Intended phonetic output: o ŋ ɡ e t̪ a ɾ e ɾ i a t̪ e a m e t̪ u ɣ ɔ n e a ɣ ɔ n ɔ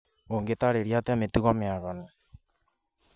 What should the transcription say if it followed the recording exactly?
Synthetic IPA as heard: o ŋ ɡ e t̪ a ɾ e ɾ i a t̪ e a m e t̪ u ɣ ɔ m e a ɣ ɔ n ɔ